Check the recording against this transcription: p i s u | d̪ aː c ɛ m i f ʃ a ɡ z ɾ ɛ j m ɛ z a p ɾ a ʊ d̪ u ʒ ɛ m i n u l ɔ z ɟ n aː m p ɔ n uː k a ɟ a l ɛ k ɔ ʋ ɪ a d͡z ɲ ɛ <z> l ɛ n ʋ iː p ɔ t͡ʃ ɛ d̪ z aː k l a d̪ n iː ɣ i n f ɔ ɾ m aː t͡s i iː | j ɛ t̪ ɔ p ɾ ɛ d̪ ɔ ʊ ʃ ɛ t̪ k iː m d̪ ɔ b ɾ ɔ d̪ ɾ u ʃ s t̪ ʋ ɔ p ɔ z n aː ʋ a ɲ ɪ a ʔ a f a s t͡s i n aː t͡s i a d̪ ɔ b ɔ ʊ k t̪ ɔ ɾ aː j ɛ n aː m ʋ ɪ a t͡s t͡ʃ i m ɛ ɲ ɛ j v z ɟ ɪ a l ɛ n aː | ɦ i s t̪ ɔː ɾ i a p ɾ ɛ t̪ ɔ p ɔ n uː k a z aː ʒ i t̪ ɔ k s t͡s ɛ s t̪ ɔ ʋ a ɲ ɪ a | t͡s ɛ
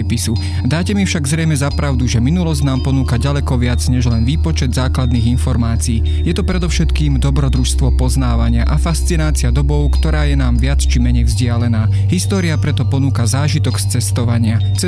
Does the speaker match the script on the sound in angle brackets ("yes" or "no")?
no